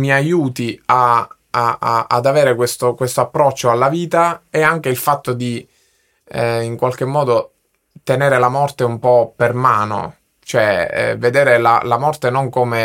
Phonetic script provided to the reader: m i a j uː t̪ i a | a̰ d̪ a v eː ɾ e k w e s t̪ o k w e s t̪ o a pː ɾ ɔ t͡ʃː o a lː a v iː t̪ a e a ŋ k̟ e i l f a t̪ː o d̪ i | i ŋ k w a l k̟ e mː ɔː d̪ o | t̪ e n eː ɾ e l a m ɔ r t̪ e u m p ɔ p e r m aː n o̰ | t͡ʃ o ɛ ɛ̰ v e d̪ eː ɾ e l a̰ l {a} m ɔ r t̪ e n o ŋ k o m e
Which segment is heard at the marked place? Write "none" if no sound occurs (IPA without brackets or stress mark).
a